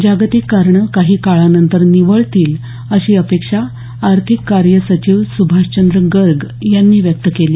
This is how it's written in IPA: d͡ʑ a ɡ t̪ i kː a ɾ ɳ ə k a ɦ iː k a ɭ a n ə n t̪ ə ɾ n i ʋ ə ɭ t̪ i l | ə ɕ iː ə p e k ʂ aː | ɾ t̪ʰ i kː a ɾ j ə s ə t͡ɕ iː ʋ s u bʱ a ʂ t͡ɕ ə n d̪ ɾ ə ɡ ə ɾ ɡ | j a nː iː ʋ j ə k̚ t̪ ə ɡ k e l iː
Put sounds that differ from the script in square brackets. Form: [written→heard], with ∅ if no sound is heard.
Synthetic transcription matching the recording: d͡ʑ a ɡ t̪ i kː a ɾ ɳ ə k a ɦ iː k a ɭ a n ə n t̪ ə ɾ n i ʋ ə ɭ t̪ [i→iː] l | ə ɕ iː ə p e k ʂ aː | ɾ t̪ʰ i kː a ɾ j ə s ə t͡ɕ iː ʋ s u bʱ a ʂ t͡ɕ ə n d̪ ɾ ə ɡ ə ɾ ɡ | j a nː iː ʋ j ə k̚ t̪ ə [ɡ→∅] k e l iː